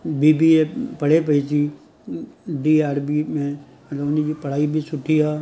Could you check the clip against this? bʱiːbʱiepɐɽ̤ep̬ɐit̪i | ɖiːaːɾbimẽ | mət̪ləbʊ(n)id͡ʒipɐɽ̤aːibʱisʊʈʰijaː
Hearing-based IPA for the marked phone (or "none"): n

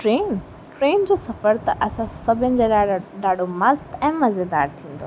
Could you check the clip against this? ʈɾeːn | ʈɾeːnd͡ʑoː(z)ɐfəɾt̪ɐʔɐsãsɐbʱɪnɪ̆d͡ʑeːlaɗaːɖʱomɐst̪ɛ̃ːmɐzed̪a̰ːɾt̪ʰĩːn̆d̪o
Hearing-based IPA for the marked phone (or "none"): s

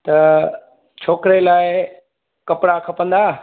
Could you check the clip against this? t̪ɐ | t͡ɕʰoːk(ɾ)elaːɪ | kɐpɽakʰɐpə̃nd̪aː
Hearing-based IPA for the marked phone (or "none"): ɾ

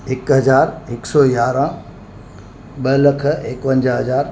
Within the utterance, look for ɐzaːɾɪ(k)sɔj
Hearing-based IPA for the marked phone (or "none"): k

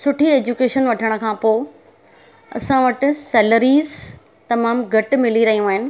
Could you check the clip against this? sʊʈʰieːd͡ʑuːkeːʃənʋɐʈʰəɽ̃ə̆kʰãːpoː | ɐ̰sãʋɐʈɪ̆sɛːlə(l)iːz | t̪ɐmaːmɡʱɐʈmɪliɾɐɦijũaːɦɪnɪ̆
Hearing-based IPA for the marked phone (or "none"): ɾ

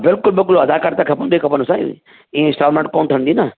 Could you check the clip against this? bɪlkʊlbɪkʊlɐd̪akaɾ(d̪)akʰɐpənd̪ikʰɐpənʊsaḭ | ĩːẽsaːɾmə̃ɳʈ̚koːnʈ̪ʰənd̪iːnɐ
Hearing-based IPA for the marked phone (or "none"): t̪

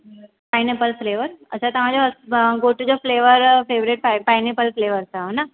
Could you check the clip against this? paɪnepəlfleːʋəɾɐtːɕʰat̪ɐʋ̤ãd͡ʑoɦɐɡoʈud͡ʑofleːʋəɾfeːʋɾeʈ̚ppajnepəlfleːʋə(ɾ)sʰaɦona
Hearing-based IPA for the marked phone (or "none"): ɾ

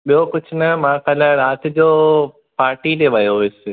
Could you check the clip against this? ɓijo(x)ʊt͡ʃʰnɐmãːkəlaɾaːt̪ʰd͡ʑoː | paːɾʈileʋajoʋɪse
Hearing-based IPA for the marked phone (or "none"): k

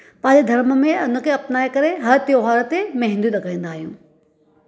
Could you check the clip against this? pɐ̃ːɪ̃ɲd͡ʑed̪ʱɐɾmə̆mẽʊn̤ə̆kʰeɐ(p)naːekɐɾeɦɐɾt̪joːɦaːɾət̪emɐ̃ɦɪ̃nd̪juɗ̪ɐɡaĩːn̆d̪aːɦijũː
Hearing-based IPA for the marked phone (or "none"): p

